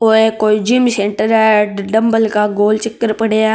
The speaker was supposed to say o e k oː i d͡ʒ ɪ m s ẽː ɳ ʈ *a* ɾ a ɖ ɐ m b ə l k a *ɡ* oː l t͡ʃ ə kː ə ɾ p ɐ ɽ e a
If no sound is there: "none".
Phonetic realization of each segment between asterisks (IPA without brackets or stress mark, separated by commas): ə, ɡ